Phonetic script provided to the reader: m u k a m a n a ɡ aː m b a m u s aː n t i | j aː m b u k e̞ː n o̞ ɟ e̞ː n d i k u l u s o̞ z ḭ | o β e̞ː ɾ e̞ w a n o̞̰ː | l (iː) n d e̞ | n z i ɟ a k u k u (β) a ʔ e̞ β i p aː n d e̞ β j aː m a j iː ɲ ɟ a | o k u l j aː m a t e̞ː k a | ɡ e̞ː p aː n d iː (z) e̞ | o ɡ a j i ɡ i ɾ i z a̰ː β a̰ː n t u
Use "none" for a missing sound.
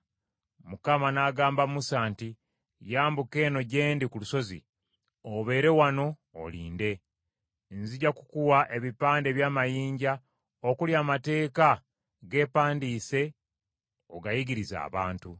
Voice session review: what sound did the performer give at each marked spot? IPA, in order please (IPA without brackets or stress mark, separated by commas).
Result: iː, w, s